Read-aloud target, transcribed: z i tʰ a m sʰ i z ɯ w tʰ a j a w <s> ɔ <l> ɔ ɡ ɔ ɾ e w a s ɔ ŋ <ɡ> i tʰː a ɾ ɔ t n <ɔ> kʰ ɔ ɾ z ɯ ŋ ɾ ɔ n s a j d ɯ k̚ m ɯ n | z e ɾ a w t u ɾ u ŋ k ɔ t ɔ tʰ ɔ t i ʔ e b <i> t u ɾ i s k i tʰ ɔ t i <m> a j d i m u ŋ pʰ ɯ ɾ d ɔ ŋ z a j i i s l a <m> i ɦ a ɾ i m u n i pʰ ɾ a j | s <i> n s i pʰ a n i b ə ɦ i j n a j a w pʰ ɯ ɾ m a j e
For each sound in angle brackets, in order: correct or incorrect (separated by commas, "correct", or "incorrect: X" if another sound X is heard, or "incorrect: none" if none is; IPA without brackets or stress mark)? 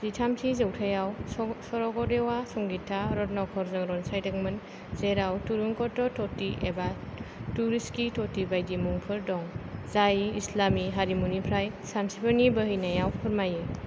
correct, incorrect: ɾ, correct, correct, incorrect: a, incorrect: b, correct, incorrect: a